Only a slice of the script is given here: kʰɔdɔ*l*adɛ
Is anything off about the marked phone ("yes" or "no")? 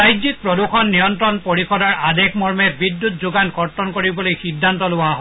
yes